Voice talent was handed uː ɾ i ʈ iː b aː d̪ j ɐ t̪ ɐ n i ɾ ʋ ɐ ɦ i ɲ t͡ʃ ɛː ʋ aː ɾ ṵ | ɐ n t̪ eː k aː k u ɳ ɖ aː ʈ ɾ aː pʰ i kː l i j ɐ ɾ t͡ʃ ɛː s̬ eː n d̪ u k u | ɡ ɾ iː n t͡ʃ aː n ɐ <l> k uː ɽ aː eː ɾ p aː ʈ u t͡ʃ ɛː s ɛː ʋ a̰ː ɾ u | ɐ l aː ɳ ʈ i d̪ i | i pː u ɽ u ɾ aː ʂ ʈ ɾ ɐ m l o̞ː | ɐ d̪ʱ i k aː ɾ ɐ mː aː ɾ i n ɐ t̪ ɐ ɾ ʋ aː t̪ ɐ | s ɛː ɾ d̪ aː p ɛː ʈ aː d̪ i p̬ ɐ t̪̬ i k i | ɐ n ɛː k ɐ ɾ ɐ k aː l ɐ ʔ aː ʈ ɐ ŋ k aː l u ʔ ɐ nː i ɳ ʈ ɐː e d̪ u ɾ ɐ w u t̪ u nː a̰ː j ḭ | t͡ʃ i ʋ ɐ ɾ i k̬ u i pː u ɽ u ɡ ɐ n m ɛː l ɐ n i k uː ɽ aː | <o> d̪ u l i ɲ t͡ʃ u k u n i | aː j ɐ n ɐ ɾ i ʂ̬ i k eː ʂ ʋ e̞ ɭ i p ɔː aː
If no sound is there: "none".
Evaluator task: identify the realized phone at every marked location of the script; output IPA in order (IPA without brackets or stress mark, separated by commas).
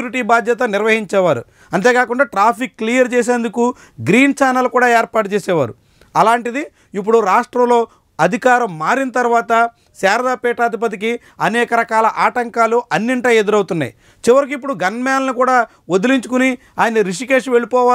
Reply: l, o